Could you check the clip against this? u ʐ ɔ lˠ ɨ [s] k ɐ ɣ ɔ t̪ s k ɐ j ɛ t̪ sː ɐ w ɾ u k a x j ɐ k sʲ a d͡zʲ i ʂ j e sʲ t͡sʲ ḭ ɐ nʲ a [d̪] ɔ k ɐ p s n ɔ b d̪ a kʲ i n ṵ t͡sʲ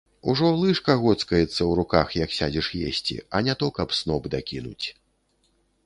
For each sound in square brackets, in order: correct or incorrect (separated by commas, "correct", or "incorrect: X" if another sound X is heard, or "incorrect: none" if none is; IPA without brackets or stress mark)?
incorrect: ʂ, incorrect: t̪